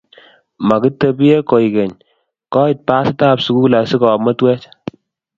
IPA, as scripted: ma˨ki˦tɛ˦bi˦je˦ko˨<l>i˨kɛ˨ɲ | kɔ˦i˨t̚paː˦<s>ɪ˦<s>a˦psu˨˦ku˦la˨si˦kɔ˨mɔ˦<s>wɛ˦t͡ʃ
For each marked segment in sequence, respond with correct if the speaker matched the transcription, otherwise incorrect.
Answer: incorrect, correct, incorrect, incorrect

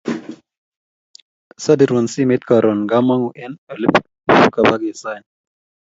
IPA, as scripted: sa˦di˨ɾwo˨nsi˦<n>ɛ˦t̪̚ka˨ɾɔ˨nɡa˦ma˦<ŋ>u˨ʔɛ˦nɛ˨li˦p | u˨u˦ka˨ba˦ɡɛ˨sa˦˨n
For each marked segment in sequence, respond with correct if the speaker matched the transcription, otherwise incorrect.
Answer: incorrect, correct

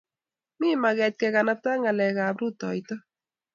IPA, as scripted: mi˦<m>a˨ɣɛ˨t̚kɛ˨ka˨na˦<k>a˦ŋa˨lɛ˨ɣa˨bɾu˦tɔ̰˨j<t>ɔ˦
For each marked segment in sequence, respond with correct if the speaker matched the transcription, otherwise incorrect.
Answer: correct, incorrect, correct

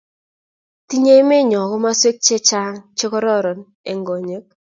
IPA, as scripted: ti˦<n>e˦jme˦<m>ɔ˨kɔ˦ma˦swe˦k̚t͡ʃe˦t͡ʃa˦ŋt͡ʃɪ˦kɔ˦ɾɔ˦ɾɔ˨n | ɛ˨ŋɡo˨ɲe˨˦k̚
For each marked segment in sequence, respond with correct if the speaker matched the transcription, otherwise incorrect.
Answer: incorrect, incorrect

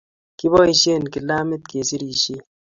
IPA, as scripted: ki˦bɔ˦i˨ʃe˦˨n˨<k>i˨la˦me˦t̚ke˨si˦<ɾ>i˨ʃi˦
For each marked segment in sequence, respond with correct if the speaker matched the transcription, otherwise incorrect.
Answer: correct, correct

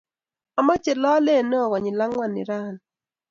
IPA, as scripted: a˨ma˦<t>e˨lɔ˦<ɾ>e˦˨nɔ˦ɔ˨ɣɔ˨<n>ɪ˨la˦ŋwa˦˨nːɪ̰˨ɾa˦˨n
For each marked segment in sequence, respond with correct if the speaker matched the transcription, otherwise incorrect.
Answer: incorrect, incorrect, incorrect

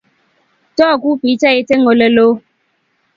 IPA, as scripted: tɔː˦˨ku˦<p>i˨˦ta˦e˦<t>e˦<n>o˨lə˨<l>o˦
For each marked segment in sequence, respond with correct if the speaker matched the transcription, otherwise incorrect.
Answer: correct, correct, incorrect, correct

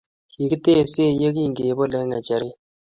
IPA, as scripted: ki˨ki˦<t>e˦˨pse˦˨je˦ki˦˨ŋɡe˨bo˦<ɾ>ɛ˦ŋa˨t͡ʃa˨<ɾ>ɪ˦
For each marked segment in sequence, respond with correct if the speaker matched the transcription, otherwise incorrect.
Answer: correct, incorrect, correct

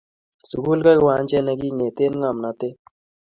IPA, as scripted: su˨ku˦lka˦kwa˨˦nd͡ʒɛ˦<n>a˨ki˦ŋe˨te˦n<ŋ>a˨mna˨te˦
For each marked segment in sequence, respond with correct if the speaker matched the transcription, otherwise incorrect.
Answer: correct, correct

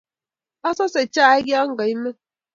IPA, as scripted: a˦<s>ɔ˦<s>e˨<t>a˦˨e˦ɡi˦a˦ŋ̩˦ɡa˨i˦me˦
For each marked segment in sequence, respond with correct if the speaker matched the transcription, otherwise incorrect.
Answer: correct, correct, incorrect

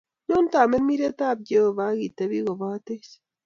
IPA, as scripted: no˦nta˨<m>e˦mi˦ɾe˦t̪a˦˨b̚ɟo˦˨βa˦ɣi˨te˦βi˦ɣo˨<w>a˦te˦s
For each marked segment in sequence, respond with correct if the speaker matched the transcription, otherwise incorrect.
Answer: correct, incorrect

